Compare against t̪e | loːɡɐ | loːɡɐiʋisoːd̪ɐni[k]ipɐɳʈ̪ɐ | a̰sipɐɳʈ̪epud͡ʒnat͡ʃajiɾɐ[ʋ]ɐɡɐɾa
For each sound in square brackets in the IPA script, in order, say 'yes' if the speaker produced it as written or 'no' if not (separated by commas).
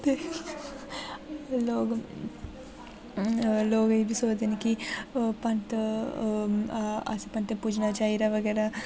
yes, yes